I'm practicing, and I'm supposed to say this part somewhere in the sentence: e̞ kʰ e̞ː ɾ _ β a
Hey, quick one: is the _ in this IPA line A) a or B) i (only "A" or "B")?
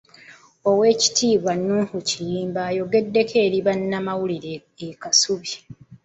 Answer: B